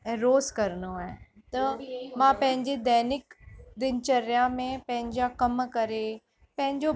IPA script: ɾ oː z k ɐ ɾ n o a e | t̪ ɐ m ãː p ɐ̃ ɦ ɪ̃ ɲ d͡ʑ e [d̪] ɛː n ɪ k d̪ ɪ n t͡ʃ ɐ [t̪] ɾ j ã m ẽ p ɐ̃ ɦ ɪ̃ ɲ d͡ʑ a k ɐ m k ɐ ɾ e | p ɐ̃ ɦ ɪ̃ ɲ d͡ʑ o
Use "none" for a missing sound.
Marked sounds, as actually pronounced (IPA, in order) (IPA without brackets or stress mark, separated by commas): d̪, none